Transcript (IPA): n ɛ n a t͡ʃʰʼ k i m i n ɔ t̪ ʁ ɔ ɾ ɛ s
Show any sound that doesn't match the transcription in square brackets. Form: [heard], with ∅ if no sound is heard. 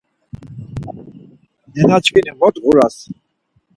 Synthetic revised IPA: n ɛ n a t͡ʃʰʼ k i [n] i [m] ɔ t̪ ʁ [u] ɾ [a] s